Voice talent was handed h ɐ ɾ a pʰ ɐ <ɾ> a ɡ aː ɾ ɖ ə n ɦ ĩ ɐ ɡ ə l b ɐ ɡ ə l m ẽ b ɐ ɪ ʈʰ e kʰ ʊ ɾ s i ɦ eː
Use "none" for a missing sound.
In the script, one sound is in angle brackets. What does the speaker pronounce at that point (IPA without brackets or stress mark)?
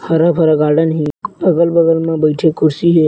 ɾ